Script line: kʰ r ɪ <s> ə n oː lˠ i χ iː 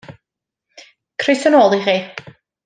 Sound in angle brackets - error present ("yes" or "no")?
no